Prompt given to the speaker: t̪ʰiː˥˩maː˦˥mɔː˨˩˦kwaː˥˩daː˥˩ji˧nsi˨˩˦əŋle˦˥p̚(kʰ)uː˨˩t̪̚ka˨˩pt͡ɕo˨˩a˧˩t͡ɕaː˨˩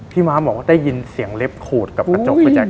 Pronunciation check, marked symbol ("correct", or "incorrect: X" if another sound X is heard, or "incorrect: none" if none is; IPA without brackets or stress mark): correct